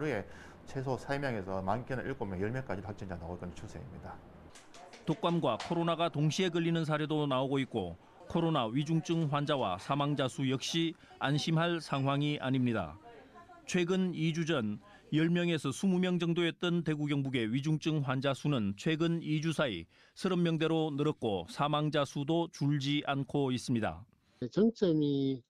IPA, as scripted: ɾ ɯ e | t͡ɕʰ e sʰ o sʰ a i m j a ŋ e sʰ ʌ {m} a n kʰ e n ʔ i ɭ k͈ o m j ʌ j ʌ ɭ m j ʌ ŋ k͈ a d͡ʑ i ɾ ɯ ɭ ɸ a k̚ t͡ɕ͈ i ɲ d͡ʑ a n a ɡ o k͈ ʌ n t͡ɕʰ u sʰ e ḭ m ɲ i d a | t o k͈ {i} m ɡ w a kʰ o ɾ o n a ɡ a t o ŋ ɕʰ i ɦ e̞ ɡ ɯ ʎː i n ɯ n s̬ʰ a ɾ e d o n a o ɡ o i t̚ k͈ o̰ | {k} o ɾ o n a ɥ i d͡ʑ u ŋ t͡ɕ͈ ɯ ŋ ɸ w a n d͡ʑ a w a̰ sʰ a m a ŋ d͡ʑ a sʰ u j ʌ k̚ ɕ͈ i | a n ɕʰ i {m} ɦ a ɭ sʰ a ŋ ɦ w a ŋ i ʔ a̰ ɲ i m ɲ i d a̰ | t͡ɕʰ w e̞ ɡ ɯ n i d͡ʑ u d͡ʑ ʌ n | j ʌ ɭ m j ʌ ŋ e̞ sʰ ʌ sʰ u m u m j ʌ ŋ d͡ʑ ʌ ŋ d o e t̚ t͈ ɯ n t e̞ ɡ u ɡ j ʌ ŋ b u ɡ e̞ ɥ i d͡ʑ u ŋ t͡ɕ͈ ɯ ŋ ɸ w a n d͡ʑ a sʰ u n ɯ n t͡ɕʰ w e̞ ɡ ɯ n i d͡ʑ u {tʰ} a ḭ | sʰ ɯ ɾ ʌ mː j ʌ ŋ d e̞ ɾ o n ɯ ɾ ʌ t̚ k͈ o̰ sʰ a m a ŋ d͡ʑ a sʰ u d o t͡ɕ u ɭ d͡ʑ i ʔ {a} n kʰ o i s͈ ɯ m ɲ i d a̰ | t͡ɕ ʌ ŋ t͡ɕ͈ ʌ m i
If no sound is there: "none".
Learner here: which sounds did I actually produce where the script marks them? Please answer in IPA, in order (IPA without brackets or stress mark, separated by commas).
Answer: m, a, kʰ, m, sʰ, a